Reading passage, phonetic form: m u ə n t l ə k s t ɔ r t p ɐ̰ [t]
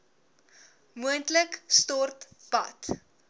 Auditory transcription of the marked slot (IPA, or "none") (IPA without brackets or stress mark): t